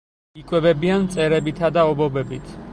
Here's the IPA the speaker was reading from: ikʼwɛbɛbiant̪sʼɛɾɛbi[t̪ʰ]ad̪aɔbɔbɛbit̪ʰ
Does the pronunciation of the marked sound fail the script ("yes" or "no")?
no